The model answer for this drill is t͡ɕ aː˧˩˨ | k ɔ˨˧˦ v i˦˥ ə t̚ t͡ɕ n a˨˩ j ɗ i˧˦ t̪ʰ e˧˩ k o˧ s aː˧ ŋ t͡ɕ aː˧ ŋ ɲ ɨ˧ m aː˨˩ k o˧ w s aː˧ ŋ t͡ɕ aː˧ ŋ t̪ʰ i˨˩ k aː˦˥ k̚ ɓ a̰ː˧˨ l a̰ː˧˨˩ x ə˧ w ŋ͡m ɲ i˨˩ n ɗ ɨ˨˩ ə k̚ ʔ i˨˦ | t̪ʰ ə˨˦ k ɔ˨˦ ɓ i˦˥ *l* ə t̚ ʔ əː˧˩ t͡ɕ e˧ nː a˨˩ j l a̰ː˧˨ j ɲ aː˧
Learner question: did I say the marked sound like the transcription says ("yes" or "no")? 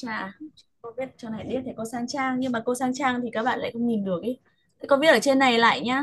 no